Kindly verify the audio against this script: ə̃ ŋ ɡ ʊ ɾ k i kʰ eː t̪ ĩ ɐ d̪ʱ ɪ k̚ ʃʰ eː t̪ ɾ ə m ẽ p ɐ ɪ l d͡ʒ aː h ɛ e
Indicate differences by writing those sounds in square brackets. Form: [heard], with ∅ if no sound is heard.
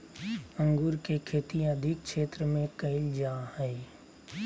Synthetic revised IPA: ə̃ ŋ ɡ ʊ ɾ k [e] kʰ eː t̪ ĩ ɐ d̪ʱ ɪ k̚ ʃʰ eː t̪ ɾ ə m ẽ [k] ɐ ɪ l d͡ʒ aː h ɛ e